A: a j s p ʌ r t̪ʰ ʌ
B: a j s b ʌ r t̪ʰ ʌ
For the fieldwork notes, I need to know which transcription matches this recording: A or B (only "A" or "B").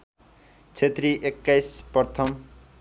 A